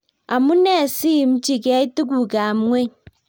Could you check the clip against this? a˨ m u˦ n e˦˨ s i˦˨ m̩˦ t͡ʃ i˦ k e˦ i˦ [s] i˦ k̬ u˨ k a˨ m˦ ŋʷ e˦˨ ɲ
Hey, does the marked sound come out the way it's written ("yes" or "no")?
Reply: no